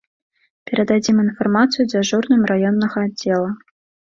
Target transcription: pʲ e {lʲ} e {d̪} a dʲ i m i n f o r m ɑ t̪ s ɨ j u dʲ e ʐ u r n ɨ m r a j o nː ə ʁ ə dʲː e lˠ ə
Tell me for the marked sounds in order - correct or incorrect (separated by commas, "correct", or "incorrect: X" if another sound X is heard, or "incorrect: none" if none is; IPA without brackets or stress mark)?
incorrect: ɾʲ, correct